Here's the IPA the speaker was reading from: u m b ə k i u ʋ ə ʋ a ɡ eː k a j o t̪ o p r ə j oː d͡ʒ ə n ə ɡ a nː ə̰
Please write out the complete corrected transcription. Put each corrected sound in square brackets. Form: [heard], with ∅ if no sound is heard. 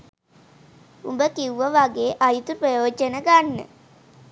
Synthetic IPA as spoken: u m b ə k i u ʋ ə ʋ a ɡ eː [ʔ] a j [u] t̪ [u] p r ə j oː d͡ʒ ə n ə ɡ a nː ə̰